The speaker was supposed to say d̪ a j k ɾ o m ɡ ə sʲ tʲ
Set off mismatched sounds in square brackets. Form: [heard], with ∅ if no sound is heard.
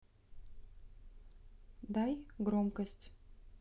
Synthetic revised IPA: d̪ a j [ɡ] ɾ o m [k] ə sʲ tʲ